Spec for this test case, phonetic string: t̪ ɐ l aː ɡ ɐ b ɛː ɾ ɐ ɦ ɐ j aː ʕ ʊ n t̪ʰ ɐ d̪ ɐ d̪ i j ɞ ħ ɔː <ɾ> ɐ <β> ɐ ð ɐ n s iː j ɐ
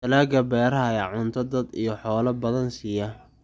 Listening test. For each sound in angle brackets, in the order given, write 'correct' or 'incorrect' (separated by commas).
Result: incorrect, incorrect